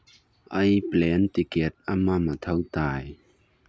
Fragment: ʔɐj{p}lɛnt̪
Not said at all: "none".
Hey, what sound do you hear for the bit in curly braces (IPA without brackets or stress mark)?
p